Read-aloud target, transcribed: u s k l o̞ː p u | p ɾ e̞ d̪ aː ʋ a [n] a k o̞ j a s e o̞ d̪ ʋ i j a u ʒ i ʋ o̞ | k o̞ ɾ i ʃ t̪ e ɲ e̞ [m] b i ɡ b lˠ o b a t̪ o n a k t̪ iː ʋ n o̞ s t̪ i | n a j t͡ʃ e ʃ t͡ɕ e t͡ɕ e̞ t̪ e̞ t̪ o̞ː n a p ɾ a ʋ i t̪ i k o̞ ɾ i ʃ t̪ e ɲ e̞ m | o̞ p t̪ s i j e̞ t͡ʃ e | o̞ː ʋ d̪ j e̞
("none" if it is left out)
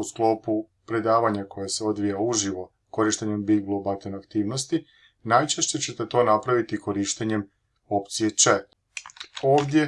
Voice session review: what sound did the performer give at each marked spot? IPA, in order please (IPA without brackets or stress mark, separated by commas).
ɲ, m